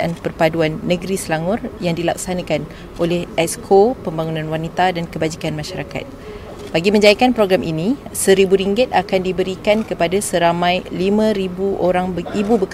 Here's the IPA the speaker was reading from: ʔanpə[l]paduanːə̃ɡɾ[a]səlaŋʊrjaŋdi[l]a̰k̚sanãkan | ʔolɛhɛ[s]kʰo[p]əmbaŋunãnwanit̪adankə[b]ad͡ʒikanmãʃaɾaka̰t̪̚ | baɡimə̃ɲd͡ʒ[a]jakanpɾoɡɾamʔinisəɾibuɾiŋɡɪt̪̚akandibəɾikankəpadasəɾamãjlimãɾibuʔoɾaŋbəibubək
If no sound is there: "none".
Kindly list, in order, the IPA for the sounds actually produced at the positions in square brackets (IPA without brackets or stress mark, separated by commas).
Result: r, i, l, s, p, b, a